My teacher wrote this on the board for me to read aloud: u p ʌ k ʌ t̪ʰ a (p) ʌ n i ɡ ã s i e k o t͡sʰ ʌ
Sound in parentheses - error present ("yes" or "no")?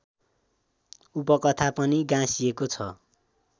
no